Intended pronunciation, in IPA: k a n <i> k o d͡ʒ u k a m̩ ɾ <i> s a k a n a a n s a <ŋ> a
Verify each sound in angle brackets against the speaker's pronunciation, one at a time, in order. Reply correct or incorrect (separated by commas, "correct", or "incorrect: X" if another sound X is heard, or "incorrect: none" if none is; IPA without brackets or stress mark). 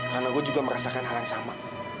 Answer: incorrect: a, incorrect: a, incorrect: m